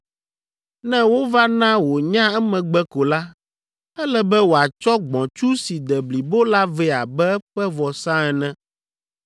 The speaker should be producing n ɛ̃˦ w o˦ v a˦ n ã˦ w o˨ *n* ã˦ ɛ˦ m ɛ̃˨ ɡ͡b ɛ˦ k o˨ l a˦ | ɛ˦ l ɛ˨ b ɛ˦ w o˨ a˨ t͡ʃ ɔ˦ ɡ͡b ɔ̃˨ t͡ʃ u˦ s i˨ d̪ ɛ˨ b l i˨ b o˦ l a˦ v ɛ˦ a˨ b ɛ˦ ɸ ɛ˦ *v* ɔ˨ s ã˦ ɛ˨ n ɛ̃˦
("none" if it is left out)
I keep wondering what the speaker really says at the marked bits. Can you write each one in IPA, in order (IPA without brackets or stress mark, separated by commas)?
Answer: ɲ, v